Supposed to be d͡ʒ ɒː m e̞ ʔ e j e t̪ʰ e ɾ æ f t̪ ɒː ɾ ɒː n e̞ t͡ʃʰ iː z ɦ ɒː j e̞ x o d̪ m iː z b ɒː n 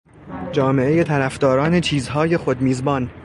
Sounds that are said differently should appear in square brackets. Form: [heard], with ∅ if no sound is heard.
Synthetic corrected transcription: d͡ʒ ɒː m e̞ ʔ e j e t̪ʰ [æ] ɾ æ f [d̪] ɒː ɾ ɒː n e̞ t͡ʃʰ iː z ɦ ɒː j e̞ x o d̪ m iː z b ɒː n